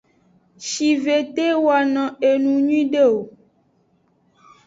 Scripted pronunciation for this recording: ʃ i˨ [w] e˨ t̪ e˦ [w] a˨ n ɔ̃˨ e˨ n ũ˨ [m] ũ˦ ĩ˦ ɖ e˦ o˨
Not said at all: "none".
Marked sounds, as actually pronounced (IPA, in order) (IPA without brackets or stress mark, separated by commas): v, w, ɲ